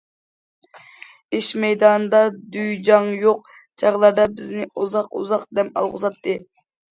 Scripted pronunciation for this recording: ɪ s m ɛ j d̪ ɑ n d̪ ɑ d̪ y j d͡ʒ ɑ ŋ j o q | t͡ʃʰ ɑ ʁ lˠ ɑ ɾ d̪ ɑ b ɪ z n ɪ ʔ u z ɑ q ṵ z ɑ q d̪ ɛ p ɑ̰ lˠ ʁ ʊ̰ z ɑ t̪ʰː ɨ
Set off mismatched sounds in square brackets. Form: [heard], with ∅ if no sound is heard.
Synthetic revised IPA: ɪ [ʃ] m ɛ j d̪ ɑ n d̪ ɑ d̪ y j d͡ʒ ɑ ŋ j o q | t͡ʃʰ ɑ ʁ lˠ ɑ ɾ d̪ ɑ b ɪ z n ɪ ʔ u z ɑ q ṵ z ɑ q d̪ ɛ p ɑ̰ lˠ ʁ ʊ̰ z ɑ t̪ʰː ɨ